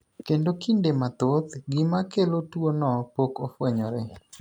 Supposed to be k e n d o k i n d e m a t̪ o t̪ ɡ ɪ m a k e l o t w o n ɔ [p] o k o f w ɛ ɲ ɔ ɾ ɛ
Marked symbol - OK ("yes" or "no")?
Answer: yes